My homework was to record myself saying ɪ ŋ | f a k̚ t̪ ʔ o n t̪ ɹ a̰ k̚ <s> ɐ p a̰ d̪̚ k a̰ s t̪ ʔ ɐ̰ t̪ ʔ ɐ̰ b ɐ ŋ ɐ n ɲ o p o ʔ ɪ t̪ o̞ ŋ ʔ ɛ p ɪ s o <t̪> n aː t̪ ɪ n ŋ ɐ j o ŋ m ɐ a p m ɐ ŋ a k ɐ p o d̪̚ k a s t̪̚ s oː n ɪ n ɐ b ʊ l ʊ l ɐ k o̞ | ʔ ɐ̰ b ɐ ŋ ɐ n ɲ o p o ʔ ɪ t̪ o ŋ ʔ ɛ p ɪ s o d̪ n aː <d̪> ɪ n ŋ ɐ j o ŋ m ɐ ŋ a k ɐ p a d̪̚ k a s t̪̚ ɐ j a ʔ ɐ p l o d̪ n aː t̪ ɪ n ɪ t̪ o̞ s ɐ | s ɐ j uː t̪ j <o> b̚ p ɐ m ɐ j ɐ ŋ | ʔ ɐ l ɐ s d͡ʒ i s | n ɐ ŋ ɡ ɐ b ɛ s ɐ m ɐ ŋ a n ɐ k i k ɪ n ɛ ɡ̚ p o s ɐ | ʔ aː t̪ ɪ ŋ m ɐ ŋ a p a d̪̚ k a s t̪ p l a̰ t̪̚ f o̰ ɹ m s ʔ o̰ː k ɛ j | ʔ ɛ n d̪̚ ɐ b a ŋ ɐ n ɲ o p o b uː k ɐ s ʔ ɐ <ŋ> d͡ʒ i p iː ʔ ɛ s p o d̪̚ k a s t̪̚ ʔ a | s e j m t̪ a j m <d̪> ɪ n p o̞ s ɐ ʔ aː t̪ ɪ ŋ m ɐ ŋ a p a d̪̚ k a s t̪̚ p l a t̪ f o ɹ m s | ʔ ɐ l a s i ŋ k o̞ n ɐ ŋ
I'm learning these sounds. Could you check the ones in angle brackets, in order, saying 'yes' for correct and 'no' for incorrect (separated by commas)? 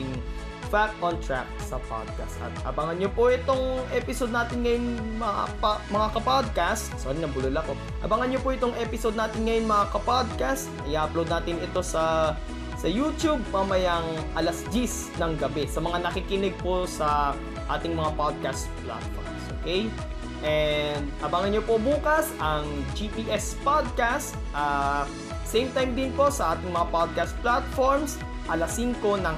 yes, no, no, no, yes, yes